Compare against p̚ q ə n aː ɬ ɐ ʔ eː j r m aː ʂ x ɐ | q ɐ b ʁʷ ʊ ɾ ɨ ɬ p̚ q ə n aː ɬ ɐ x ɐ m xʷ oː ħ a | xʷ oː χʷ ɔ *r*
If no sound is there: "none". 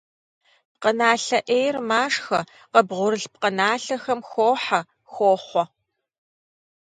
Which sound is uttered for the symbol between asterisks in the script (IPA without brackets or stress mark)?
none